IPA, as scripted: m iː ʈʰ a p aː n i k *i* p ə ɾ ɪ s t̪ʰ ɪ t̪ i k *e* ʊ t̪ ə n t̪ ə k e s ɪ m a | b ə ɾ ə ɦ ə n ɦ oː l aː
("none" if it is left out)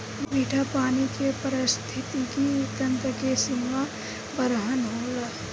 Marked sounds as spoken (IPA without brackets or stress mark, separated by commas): e, i